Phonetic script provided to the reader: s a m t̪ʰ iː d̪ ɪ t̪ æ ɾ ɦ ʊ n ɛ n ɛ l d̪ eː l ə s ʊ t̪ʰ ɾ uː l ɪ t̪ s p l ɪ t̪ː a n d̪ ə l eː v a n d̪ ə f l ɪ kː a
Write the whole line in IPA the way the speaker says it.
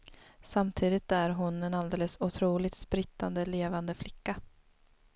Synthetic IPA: s a m t̪ʰ iː d̪ ɪ t̪ æ ɾ ɦ ʊ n ɛ n a l d̪ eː l ə s ʊ t̪ʰ ɾ uː l ɪ t̪ s p ɾ ɪ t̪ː a n d̪ ə l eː v a n d̪ ə f l ɪ kː a